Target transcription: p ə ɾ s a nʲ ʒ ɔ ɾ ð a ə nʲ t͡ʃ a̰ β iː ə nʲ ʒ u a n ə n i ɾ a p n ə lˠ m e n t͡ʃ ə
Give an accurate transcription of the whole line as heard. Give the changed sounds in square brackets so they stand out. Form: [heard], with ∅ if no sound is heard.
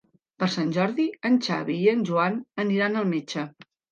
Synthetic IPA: p ə ɾ s a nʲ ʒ ɔ ɾ ð [i] ə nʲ t͡ʃ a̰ β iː ə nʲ ʒ u a n ə n i ɾ a [∅] n ə lˠ m e [∅] t͡ʃ ə